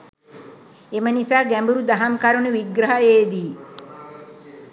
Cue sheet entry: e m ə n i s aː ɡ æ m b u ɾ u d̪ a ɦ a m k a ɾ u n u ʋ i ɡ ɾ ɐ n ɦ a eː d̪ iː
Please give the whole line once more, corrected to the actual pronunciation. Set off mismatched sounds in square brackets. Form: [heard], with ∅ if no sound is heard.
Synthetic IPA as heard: e m ə n i s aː ɡ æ m b u ɾ u d̪ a ɦ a m k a ɾ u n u ʋ i ɡ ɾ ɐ [∅] ɦ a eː d̪ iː